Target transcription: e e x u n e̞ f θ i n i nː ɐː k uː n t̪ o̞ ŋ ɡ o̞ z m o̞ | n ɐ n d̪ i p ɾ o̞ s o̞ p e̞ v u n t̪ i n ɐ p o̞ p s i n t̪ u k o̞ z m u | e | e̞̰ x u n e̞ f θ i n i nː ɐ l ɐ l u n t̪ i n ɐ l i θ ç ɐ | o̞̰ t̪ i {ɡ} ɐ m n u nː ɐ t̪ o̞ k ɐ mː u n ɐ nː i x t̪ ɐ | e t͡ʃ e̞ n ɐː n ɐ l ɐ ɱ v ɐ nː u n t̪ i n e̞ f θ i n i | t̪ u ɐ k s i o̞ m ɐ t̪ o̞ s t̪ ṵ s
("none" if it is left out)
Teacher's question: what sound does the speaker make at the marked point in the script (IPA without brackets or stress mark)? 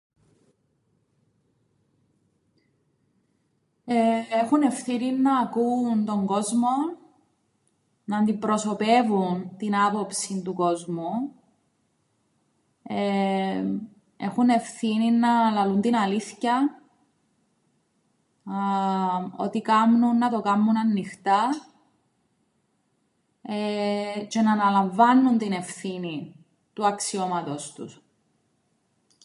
k